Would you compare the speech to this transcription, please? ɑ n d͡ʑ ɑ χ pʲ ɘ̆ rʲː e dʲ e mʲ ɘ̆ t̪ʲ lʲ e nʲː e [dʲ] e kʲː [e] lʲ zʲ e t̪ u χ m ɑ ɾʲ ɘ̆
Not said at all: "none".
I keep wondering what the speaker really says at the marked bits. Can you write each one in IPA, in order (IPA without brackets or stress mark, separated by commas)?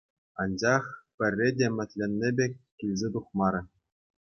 bʲ, i